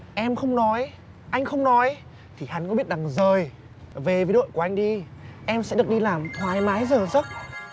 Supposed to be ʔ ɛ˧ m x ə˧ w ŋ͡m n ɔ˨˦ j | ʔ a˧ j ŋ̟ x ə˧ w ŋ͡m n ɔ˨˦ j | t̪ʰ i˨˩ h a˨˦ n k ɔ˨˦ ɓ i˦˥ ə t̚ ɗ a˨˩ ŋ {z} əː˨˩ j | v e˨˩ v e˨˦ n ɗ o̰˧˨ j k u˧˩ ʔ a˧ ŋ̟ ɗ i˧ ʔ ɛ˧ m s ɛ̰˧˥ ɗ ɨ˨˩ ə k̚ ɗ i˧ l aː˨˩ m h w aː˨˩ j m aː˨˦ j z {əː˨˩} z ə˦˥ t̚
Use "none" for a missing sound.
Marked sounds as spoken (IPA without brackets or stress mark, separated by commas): z, əː˨˩